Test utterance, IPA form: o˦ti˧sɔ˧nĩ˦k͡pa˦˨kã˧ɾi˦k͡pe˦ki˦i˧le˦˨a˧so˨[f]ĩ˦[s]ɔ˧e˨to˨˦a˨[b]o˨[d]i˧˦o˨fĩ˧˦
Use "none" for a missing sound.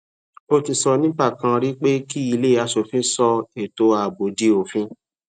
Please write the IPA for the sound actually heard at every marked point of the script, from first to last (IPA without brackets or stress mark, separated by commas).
f, s, b, d